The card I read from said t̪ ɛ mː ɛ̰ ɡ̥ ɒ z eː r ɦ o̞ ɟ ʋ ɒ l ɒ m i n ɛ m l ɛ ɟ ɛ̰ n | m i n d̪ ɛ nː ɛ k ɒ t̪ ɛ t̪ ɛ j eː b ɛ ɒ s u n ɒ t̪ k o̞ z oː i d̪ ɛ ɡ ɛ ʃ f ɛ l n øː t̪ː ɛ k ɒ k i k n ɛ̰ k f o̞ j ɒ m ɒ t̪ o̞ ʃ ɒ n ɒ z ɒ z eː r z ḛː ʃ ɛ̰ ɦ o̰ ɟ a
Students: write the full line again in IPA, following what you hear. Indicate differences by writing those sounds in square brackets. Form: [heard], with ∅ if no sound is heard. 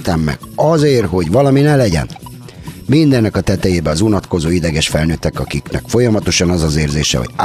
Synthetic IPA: t̪ ɛ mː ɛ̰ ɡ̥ ɒ z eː r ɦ o̞ ɟ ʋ ɒ l ɒ m i n ɛ [∅] l ɛ ɟ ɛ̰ n | m i n d̪ ɛ nː ɛ k ɒ t̪ ɛ t̪ ɛ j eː b ɛ ɒ [z] u n ɒ t̪ k o̞ z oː i d̪ ɛ ɡ ɛ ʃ f ɛ l n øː t̪ː ɛ k ɒ k i k n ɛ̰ k f o̞ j ɒ m ɒ t̪ o̞ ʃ ɒ n ɒ z ɒ z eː r z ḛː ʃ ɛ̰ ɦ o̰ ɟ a